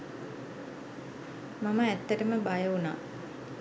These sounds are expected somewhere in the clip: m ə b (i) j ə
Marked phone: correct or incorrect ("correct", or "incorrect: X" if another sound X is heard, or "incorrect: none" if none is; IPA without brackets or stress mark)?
incorrect: a